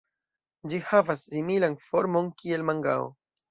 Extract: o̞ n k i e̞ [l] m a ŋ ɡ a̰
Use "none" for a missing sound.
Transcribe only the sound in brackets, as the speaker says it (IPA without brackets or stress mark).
l